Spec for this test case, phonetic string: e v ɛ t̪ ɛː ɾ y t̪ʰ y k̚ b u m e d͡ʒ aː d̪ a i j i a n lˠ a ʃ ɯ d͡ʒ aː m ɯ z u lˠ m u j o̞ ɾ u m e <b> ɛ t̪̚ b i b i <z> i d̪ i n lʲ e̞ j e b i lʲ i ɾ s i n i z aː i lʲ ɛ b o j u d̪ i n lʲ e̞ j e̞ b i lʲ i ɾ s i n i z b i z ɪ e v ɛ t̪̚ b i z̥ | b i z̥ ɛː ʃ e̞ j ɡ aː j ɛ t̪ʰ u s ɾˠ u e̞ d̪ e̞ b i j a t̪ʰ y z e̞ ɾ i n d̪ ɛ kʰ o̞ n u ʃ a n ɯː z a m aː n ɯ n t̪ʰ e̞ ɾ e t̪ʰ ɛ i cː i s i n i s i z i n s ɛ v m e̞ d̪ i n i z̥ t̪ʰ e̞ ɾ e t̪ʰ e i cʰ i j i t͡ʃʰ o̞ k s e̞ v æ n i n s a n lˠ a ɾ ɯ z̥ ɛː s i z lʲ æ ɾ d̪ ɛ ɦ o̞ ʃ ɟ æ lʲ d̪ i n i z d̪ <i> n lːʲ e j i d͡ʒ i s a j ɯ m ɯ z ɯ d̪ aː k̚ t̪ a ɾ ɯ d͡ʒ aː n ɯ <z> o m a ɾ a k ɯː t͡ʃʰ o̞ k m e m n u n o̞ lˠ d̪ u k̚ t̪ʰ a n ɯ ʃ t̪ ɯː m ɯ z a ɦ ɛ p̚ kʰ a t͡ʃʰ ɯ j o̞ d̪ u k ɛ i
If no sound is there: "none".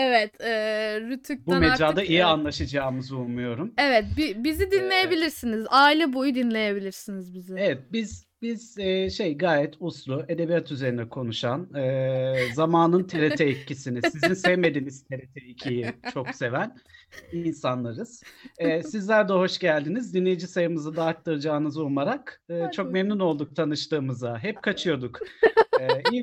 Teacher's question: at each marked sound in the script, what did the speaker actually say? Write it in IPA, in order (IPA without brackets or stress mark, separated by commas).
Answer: v, z, i, z